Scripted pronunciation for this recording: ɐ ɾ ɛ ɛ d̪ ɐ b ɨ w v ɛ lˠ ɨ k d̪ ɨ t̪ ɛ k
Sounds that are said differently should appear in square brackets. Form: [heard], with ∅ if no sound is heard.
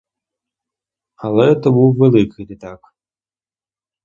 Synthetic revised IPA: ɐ [l] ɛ ɛ [t̪] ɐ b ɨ w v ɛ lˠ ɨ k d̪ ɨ t̪ [a] k